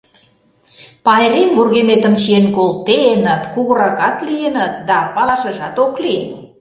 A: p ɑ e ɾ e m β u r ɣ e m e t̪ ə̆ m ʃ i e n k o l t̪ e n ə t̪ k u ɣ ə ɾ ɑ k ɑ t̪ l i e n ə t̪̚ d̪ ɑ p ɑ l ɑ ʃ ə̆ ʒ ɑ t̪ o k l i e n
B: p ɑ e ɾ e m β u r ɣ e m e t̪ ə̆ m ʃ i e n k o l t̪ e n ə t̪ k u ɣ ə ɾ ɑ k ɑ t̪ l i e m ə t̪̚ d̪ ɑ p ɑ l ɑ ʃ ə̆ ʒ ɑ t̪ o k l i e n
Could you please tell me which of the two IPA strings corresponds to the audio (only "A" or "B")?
A